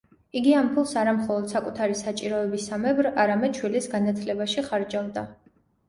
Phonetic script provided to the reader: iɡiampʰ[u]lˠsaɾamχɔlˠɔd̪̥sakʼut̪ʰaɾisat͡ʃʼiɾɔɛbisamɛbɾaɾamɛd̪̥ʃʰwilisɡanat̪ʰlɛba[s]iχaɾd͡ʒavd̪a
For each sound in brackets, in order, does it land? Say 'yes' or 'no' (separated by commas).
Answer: yes, no